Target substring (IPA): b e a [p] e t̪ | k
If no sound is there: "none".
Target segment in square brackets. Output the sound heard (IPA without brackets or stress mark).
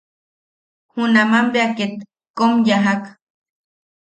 k